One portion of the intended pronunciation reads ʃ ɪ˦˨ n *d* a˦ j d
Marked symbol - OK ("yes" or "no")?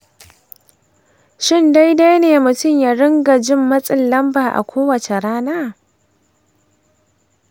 yes